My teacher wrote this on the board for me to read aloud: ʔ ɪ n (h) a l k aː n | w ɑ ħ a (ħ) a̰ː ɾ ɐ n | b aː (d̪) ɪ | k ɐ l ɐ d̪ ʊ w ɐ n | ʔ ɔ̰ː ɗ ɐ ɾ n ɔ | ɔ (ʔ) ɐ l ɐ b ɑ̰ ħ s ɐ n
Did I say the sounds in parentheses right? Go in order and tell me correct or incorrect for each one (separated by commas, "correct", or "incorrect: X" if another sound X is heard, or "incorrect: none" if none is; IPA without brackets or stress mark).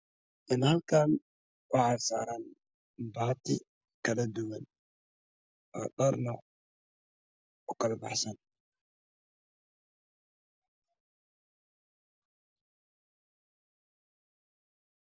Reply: correct, incorrect: s, incorrect: t̪, incorrect: k